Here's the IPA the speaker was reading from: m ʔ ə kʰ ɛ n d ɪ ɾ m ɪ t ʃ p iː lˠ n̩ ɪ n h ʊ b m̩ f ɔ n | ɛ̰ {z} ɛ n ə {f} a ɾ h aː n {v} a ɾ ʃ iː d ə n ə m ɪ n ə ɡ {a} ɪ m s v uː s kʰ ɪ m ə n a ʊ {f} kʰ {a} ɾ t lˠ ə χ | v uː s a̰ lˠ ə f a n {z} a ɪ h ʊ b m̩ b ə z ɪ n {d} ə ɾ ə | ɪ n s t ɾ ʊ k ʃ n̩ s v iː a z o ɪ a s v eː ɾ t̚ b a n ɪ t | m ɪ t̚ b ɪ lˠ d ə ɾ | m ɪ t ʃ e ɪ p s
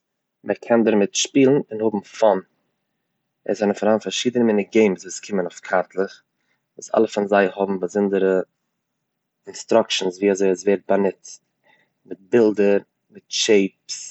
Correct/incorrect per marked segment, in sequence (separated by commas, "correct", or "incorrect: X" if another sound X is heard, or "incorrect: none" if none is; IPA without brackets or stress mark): correct, correct, incorrect: f, incorrect: e, correct, correct, correct, correct